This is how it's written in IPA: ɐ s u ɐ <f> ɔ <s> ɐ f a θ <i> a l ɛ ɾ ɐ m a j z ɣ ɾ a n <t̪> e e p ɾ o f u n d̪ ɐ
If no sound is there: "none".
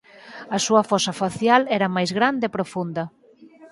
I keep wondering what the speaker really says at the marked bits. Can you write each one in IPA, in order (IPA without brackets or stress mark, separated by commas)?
f, s, j, d̪